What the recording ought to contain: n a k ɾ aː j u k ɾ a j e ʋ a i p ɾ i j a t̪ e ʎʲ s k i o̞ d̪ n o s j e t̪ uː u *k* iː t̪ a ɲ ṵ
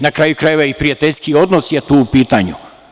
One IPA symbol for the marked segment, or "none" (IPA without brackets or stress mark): p